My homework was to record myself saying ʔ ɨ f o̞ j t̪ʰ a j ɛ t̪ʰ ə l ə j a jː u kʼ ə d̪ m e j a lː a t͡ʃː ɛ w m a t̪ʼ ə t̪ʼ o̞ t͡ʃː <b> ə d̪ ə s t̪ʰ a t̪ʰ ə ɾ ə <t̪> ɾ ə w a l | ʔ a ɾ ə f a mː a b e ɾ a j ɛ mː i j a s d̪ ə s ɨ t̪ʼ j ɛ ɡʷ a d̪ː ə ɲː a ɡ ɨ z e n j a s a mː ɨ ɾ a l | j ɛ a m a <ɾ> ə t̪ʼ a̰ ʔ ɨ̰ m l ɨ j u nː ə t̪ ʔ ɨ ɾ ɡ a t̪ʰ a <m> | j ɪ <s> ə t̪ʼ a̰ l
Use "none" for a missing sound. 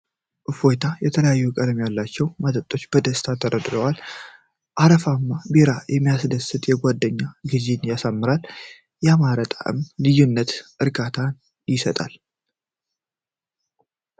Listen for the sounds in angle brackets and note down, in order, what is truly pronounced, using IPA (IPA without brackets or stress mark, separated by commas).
b, d̪, ɾ, n, s